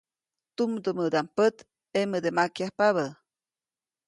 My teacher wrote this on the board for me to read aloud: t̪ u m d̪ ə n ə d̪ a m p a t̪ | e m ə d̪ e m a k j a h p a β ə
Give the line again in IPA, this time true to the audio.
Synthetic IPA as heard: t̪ u m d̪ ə m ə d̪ a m p ə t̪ | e m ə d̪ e m a k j a h p a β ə